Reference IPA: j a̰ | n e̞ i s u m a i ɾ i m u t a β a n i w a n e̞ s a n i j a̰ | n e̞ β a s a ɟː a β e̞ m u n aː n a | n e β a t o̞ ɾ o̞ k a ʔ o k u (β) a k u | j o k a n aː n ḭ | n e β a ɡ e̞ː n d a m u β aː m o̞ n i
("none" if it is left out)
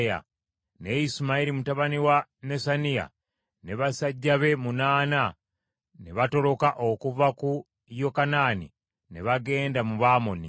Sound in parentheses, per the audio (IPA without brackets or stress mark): v